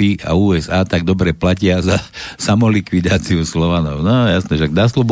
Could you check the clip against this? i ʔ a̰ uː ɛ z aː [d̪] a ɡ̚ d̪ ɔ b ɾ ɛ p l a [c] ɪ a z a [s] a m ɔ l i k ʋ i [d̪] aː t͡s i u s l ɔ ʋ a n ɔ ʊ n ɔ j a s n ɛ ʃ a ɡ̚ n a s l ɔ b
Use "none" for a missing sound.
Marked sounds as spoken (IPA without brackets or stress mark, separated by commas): t̪, c, s, d̪